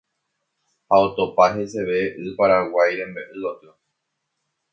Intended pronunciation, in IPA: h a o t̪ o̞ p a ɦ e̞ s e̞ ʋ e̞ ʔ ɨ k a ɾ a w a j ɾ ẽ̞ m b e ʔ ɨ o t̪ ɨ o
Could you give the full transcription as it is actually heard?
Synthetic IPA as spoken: h a o t̪ o̞ p a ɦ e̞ s e̞ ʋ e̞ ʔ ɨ p a ɾ a w a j ɾ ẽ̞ m b e ʔ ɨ o t̪ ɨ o

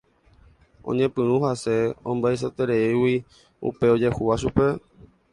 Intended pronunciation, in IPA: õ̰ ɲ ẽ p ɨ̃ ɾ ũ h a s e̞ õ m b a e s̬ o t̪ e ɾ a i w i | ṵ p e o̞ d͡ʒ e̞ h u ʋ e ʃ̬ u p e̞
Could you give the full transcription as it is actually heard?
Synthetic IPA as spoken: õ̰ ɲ ẽ p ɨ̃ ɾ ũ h a s e̞ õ m b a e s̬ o t̪ e ɾ e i w i | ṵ p e o̞ d͡ʒ e̞ h u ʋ a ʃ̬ u p e̞

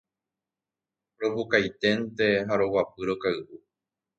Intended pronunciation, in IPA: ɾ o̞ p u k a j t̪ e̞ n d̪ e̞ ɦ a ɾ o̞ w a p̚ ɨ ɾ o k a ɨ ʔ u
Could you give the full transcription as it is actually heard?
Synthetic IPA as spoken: ɾ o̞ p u k a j t̪ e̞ n t̪ e̞ ɦ a ɾ o̞ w a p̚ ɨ ɾ o k a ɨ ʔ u

